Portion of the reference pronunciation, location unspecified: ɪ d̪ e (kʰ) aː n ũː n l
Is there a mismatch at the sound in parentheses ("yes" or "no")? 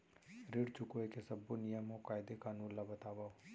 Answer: yes